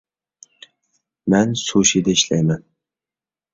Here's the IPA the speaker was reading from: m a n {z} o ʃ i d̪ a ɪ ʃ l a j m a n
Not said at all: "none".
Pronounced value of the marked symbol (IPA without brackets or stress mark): s